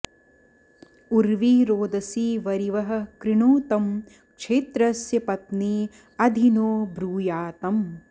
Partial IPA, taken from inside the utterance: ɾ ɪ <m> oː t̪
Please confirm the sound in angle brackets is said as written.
no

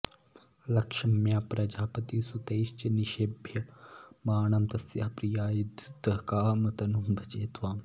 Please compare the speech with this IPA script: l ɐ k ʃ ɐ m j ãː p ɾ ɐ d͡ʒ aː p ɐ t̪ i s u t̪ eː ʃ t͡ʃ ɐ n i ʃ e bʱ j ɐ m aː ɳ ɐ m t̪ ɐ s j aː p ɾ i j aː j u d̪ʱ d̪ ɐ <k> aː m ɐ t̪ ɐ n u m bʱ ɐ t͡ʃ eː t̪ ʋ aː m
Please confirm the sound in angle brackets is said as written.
yes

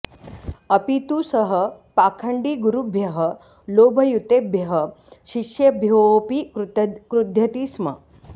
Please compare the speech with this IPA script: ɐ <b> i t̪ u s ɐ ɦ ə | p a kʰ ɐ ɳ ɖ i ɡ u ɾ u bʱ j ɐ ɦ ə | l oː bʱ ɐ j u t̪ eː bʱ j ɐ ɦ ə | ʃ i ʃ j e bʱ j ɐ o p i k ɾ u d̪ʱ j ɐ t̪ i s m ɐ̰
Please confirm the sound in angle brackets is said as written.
no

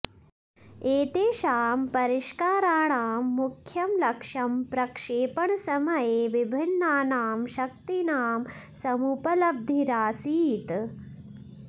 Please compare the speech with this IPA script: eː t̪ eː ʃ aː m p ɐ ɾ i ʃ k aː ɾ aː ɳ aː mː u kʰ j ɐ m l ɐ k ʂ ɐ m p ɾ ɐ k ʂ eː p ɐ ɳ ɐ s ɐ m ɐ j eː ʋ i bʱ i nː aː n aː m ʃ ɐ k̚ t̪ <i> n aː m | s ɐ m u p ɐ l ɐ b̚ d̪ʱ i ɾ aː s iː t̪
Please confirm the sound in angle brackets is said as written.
yes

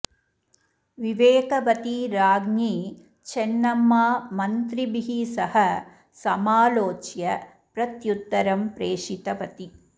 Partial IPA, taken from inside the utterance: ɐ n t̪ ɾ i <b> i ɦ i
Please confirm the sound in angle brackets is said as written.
yes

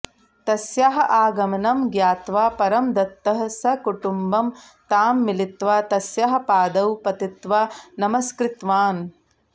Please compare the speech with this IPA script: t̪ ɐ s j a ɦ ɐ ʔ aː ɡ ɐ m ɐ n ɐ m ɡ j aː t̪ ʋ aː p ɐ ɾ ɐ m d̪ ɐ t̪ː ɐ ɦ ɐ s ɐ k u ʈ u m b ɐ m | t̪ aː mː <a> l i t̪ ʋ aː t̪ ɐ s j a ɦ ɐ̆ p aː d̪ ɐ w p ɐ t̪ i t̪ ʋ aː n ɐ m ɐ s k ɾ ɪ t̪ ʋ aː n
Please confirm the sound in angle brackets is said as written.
no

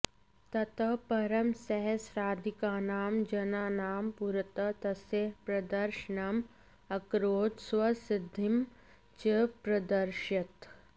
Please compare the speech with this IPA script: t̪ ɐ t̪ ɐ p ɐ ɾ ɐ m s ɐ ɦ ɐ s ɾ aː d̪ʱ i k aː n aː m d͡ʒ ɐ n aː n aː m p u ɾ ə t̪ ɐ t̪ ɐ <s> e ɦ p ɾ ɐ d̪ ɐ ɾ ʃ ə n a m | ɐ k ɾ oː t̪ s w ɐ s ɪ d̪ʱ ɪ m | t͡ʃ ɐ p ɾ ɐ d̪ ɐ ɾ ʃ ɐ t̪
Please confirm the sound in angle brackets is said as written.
yes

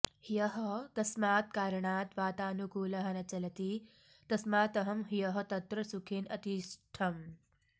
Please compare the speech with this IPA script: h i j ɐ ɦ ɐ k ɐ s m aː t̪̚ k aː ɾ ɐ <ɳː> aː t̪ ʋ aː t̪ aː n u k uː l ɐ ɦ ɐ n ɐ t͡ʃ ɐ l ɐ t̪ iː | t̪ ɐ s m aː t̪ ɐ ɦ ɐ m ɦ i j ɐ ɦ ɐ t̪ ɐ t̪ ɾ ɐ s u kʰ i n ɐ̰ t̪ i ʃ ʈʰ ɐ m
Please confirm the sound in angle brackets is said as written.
no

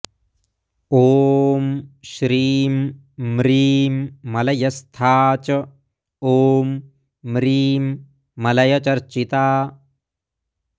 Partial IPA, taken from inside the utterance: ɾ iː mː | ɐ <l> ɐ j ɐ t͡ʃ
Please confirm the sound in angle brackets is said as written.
yes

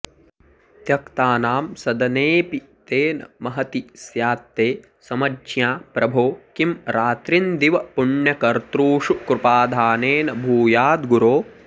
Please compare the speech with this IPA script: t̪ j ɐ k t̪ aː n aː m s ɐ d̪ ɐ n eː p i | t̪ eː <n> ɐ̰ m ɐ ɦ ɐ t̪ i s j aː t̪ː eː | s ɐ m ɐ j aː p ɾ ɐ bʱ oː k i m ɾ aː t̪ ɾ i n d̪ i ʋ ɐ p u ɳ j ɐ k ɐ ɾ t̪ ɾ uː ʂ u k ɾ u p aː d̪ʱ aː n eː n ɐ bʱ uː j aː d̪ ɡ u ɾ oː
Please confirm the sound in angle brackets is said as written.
yes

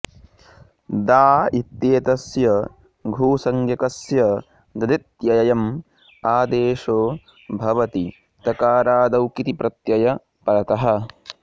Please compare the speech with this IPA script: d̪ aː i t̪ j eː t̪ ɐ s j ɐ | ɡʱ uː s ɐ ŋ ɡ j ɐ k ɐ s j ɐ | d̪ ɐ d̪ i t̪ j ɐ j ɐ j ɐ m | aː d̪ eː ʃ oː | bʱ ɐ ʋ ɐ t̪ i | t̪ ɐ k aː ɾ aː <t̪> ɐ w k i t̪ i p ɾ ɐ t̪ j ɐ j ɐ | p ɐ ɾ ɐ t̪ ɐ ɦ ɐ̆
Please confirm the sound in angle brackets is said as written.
no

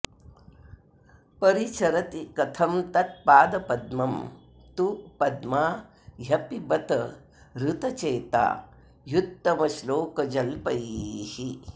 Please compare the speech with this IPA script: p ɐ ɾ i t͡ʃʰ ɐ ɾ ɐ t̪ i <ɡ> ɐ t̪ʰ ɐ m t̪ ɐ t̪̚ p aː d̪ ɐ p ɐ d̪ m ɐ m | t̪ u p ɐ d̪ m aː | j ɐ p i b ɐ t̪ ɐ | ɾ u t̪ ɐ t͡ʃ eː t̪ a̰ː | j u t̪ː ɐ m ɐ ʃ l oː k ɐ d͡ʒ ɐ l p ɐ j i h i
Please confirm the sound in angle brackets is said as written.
no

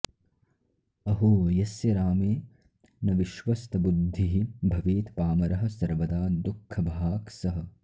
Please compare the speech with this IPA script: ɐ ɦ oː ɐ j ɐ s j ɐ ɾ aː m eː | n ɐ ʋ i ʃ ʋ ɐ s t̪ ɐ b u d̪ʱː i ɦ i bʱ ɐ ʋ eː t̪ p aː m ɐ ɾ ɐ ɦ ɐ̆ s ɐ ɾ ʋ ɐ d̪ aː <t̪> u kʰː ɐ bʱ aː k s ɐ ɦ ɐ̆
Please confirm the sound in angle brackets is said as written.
no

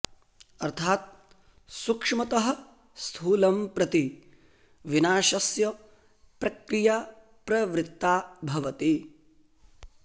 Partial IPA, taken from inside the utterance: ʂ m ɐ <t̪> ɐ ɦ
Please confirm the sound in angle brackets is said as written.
yes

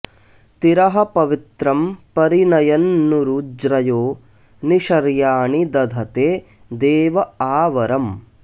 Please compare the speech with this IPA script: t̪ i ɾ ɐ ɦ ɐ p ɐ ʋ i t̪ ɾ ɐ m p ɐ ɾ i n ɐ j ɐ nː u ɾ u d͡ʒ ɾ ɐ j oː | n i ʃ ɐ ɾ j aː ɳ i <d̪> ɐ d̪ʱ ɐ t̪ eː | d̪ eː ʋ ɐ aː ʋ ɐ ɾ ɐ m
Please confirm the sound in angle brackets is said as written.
yes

